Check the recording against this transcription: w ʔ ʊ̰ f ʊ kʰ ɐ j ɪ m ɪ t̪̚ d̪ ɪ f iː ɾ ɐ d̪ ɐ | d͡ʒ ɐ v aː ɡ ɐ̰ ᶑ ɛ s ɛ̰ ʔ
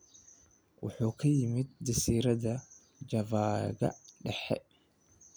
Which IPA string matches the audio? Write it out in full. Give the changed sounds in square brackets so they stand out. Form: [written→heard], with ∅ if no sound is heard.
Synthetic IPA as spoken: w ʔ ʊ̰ [f→ħ] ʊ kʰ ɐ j ɪ m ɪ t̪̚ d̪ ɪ [f→s] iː ɾ ɐ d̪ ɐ | d͡ʒ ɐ v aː ɡ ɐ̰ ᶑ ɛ [s→ħ] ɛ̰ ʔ